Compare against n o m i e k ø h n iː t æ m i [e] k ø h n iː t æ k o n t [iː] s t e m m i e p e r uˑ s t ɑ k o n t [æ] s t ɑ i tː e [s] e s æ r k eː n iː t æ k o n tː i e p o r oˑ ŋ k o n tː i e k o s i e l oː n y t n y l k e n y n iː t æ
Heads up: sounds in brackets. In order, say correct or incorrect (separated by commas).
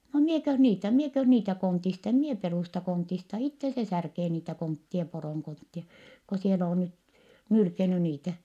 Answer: correct, incorrect, incorrect, correct